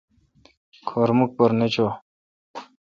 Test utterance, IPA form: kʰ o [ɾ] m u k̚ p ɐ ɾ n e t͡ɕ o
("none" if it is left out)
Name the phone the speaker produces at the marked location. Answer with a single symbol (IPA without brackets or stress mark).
ɾ